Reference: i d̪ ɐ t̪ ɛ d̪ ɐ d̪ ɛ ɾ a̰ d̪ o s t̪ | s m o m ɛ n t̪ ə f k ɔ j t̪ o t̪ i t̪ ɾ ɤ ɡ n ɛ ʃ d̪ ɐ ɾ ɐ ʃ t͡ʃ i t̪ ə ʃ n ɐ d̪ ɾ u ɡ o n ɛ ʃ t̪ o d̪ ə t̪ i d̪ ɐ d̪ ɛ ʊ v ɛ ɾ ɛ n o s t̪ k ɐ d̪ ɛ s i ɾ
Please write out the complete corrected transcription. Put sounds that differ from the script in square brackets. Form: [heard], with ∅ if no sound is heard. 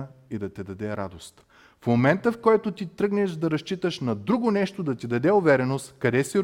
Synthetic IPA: i d̪ ɐ t̪ ɛ d̪ ɐ d̪ ɛ ɾ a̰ d̪ o s t̪ | [f] m o m ɛ n t̪ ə f k ɔ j t̪ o t̪ i t̪ ɾ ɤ ɡ n ɛ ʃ d̪ ɐ ɾ ɐ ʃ t͡ʃ i t̪ ə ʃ n ɐ d̪ ɾ u ɡ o n ɛ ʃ t̪ o d̪ [ɐ] t̪ i d̪ ɐ d̪ ɛ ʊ v ɛ ɾ ɛ n o s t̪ k ɐ d̪ ɛ s i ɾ